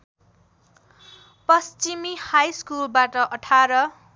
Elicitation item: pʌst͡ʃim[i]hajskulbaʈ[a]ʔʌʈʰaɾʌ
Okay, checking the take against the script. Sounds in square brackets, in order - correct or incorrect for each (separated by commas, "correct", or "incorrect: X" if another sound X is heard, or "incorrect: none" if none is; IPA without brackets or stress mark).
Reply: correct, incorrect: ʌ